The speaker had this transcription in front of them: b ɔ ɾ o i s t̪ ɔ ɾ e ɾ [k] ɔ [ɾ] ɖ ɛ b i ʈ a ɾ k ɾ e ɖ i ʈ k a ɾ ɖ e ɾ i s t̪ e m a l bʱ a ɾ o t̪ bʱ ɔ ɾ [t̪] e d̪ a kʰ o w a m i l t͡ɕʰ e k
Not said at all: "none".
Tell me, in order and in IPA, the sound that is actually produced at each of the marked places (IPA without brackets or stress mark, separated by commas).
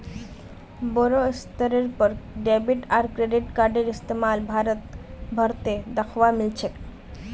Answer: p, ɾ, t̪